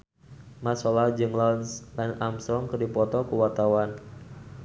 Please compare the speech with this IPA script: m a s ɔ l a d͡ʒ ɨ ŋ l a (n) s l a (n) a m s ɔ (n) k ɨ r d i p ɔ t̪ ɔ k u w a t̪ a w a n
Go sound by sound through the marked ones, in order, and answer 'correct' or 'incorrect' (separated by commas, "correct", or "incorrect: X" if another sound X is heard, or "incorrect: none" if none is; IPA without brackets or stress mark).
correct, correct, incorrect: ŋ